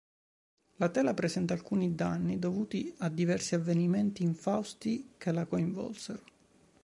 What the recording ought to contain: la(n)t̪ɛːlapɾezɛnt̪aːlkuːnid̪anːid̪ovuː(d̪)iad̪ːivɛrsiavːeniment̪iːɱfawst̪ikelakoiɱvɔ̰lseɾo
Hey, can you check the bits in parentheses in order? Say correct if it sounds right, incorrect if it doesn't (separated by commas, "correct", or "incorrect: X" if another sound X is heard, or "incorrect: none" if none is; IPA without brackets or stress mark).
incorrect: none, incorrect: t̪